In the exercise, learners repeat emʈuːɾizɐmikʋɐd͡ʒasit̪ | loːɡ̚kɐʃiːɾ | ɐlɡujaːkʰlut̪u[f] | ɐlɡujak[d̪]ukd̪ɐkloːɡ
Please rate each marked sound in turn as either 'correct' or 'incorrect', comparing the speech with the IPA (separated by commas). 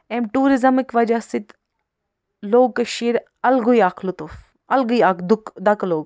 correct, correct